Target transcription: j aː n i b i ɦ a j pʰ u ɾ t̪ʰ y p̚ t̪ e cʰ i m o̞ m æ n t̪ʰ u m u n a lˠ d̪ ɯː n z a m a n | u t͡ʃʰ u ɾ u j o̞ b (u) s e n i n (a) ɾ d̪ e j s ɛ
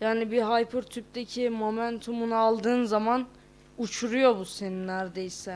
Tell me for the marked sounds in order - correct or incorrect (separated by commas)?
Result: correct, incorrect